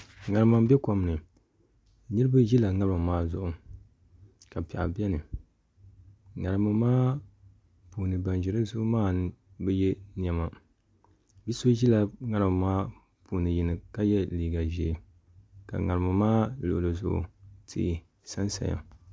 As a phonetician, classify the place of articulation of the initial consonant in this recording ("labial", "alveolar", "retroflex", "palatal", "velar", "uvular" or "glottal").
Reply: velar